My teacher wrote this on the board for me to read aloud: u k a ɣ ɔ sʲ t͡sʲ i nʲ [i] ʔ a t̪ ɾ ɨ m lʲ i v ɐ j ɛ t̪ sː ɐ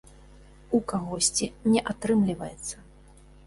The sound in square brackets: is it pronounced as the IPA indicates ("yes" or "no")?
no